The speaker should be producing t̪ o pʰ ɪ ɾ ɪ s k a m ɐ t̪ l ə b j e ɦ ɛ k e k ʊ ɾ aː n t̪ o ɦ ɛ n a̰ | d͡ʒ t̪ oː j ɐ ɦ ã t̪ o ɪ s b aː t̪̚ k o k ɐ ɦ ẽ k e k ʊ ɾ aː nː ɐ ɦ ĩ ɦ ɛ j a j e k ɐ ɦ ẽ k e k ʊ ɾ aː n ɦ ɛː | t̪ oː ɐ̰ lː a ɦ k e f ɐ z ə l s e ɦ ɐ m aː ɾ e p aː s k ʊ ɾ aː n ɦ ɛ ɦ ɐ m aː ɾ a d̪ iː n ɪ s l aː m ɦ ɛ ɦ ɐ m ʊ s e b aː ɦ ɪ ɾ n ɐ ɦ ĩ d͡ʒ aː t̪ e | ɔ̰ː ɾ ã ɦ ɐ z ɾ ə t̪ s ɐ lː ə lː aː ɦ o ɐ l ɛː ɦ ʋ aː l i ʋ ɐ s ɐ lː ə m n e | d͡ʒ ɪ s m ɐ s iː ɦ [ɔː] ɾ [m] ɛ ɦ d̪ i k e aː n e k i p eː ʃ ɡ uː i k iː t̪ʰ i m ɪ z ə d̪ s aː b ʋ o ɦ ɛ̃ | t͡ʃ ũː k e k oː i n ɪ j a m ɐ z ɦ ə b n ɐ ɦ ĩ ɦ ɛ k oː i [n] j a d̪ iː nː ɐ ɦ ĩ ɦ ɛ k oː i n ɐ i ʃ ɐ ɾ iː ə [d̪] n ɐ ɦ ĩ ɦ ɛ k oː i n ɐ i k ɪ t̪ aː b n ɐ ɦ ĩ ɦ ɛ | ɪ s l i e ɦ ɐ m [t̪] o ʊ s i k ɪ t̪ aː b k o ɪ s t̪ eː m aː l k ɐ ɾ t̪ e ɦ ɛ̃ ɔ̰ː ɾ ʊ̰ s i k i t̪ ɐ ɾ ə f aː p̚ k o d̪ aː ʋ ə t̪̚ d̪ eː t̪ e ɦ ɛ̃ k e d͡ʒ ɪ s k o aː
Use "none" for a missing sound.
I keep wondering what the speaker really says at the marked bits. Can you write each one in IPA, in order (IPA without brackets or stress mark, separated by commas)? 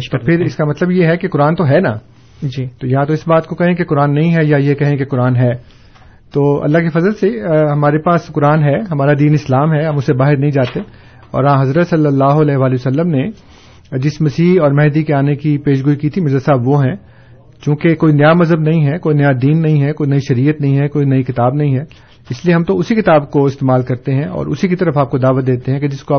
ɔː, m, n, t̪, t̪